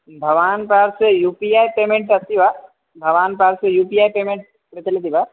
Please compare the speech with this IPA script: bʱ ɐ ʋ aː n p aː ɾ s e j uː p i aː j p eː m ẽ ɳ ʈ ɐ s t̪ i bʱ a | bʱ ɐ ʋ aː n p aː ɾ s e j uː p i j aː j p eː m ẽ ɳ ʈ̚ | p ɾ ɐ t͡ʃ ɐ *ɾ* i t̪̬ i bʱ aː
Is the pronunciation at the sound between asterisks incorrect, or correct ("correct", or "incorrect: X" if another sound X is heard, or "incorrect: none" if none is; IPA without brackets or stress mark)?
incorrect: l